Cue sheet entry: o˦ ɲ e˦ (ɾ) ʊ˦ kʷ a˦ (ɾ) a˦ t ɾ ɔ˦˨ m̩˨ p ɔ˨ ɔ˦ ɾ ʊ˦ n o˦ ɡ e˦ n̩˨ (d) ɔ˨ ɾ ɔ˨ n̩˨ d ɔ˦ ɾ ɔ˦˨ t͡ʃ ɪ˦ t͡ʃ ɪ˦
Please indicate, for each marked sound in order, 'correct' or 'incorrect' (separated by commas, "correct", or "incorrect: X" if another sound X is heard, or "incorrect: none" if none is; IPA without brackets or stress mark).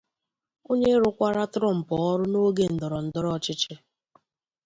correct, correct, correct